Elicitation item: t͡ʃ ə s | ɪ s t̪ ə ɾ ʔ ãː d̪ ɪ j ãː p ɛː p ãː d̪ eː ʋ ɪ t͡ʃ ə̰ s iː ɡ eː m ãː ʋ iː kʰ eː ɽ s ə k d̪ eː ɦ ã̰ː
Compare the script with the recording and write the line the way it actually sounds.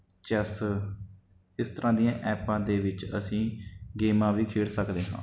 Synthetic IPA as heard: t͡ʃ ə s | ɪ s t̪ ə ɾ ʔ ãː d̪ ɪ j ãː ʔ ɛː p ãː d̪ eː ʋ ɪ t͡ʃ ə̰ s ĩː ɡ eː m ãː ʋ iː kʰ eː ɽ s ə k d̪ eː ɦ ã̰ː